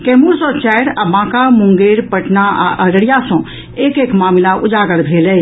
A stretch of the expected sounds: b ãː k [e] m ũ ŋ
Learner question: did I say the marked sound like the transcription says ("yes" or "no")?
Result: no